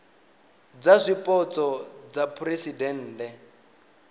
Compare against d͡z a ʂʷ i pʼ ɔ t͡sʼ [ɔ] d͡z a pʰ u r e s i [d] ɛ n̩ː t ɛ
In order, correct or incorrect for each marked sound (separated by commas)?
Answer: correct, correct